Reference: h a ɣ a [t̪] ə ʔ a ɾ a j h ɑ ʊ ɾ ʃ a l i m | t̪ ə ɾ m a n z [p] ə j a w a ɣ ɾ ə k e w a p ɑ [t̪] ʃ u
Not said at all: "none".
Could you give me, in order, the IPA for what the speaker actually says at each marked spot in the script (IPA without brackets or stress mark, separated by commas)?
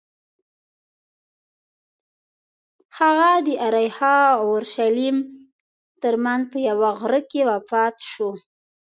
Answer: d̪, p, t̪